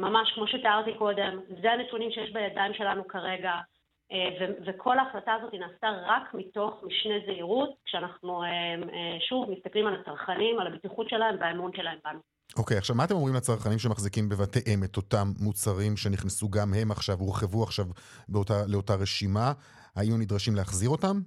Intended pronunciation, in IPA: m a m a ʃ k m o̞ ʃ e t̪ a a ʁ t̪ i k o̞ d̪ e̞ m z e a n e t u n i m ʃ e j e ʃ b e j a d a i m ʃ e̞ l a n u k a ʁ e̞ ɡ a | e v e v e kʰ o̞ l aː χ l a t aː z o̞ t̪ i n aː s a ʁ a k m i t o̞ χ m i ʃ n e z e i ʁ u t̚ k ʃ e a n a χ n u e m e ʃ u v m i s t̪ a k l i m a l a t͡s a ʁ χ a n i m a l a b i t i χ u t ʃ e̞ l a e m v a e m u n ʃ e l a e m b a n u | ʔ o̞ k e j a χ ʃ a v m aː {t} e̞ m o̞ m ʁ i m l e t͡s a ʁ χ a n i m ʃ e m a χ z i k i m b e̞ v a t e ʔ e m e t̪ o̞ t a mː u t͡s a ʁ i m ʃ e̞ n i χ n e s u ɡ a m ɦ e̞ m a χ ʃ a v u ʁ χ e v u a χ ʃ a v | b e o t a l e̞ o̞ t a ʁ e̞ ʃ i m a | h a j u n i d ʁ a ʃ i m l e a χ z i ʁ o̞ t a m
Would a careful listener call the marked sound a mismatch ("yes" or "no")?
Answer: no